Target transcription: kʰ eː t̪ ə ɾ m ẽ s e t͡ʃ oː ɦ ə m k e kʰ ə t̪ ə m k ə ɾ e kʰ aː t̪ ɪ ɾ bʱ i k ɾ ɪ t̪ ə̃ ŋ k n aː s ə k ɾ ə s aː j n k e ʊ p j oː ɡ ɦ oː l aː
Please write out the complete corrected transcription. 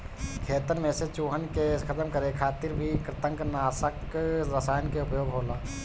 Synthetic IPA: kʰ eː t̪ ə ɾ m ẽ s e t͡ʃ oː ɦ ə n k e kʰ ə t̪ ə m k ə ɾ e kʰ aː t̪ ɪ ɾ bʱ i k ɾ ɪ t̪ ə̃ ŋ k n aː s ə k ɾ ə s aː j n k e ʊ p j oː ɡ ɦ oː l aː